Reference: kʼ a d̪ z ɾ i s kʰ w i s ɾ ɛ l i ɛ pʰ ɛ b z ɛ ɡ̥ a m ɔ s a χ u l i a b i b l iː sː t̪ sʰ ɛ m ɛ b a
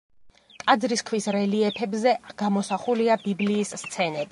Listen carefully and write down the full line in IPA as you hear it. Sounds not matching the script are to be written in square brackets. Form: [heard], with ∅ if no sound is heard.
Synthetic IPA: kʼ a d̪ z ɾ i s kʰ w i s ɾ ɛ l i ɛ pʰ ɛ b z ɛ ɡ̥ a m ɔ s a χ u l i a b i b l iː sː t̪ sʰ ɛ [n] ɛ b [i]